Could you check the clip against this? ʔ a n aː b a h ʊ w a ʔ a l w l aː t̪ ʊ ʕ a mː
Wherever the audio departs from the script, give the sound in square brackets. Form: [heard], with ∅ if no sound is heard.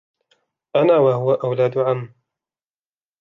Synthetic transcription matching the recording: ʔ a n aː [w] a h ʊ w a ʔ a [∅] w l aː [d̪] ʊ ʕ a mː